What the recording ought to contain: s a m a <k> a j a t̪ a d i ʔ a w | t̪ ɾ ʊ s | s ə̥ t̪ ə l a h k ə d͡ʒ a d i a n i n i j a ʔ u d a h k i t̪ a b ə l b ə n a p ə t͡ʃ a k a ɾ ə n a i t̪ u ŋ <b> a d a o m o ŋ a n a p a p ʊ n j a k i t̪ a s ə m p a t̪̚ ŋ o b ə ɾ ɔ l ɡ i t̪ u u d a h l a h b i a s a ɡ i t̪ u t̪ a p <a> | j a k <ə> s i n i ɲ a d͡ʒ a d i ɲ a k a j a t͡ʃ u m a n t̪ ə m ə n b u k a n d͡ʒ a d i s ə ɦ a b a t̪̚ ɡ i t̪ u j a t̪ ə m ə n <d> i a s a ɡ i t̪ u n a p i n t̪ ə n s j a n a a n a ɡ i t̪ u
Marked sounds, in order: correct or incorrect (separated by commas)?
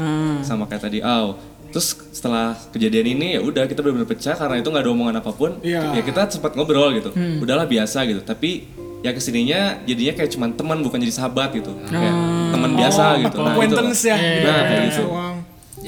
correct, incorrect, incorrect, correct, incorrect